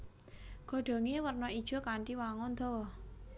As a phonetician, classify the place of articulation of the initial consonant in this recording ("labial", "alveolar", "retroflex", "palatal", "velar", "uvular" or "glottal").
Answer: velar